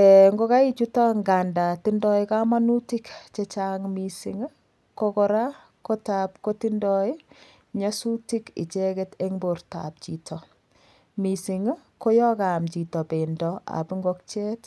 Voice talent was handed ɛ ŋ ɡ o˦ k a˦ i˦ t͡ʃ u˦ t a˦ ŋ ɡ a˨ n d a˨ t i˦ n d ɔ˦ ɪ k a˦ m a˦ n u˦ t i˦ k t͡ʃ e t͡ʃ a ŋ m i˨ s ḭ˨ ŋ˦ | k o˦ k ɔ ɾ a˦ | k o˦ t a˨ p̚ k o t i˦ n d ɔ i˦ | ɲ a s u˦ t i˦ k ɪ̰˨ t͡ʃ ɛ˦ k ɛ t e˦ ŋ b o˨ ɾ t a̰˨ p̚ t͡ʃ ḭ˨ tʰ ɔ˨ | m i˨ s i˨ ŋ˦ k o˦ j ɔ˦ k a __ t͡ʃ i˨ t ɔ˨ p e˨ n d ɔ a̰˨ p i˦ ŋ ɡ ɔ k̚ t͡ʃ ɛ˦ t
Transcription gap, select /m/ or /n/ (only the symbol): m